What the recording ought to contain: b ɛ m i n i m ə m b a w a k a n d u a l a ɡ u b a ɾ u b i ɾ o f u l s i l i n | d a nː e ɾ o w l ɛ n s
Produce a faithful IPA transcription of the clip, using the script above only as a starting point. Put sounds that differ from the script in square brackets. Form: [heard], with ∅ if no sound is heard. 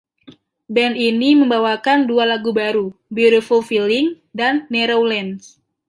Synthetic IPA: b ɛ [n] i n i m ə m b a w a k a n d u a l a ɡ u b a ɾ u b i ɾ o f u l [f] i l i [ŋ] | d a nː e ɾ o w l ɛ n s